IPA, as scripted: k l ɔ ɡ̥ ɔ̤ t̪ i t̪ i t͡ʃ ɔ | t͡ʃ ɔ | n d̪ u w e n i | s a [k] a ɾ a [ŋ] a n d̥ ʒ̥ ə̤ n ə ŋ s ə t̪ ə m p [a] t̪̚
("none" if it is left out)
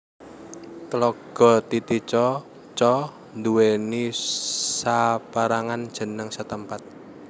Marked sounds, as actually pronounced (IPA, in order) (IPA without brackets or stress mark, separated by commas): p, ŋ, a